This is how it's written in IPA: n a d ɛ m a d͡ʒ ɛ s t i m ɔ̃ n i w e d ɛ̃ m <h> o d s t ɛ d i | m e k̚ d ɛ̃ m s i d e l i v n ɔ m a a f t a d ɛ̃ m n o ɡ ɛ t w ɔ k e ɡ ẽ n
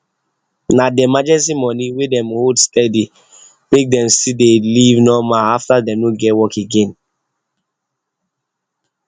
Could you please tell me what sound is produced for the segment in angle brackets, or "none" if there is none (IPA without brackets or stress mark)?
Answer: h